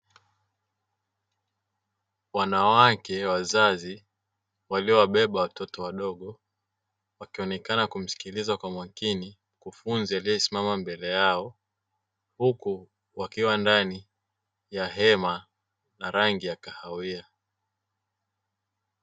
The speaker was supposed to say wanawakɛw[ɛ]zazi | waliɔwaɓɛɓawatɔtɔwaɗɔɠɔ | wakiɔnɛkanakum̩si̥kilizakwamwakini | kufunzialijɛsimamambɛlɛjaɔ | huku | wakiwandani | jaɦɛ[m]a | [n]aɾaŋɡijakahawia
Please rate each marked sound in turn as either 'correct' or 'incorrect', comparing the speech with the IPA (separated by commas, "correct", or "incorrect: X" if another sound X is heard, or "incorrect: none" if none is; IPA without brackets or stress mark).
incorrect: a, correct, correct